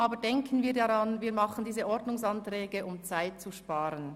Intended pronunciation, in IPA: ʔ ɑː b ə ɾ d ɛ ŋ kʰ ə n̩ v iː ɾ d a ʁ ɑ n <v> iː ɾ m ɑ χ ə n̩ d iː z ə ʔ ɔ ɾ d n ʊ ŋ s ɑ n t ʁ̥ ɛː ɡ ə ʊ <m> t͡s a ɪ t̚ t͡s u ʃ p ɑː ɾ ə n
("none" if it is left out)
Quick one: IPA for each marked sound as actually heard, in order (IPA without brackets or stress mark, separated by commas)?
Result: v, m